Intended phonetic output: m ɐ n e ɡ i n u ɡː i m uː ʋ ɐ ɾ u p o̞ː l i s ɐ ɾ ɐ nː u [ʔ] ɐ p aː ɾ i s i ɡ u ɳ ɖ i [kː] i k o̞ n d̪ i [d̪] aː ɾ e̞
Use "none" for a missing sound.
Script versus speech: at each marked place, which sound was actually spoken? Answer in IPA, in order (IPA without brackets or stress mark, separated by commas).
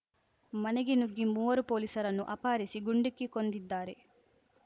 ʔ, kː, d̪ː